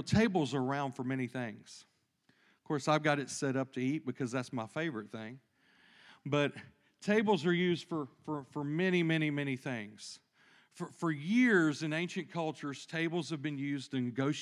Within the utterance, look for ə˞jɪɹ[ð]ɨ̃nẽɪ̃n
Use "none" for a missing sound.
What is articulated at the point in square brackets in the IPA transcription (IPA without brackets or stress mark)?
z